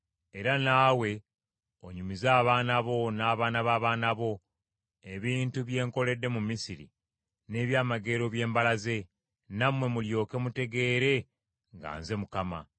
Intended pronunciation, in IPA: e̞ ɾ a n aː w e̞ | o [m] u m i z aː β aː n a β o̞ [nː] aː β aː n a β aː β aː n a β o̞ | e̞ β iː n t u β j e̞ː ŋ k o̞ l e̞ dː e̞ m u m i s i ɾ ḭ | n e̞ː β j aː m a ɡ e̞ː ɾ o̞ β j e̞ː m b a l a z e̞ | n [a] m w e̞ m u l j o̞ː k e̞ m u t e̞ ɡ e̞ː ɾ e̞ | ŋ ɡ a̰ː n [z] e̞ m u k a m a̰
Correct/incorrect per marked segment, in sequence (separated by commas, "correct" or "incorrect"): incorrect, incorrect, correct, correct